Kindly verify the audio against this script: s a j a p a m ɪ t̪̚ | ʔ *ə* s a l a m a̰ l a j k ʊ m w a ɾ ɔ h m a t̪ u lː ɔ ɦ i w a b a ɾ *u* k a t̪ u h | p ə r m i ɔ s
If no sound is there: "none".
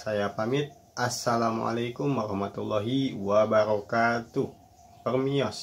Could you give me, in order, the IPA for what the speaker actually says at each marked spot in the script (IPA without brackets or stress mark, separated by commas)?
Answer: a, ɔ